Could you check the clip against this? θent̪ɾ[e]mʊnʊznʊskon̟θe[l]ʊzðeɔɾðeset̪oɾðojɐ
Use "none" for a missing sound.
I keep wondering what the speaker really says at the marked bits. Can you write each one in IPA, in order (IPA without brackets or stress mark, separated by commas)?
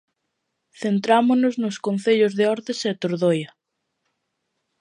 a, ʎ